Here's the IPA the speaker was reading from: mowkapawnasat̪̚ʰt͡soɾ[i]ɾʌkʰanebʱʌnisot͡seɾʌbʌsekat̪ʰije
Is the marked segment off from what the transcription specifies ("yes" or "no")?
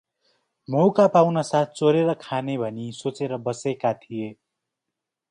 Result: yes